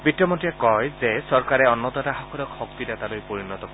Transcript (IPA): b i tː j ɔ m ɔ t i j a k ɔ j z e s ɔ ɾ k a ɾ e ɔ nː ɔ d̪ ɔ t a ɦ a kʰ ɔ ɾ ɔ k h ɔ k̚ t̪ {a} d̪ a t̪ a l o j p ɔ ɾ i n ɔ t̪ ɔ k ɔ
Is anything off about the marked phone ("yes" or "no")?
yes